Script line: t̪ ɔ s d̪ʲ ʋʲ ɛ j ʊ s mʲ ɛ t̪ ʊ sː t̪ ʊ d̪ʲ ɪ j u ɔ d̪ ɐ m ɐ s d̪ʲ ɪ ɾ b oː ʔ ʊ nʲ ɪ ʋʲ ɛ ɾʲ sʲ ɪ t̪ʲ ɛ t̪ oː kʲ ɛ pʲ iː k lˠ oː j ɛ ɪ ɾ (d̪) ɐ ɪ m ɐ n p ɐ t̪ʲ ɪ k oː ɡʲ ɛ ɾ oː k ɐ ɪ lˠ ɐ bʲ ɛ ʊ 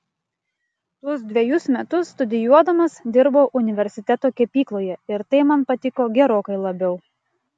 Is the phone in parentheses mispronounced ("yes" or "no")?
yes